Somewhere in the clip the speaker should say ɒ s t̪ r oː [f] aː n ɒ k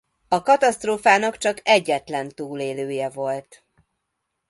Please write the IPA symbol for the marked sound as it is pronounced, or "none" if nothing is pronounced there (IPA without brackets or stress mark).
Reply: f